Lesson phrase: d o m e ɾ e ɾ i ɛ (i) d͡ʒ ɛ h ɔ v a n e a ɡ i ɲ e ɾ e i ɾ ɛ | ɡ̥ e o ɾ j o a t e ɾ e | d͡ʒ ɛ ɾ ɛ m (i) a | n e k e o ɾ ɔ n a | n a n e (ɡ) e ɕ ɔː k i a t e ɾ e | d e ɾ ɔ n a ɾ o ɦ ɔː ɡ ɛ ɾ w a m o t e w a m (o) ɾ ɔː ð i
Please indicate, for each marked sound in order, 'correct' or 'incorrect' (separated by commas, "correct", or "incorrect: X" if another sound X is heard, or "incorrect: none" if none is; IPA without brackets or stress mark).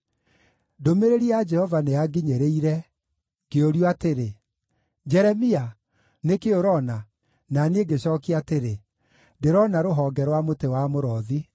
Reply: incorrect: a, correct, correct, correct